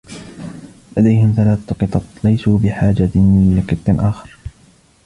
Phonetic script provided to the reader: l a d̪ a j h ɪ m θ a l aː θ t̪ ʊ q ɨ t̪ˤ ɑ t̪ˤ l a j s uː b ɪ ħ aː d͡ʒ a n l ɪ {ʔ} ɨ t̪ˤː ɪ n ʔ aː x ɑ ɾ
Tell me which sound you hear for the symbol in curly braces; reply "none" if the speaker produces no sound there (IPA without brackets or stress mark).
q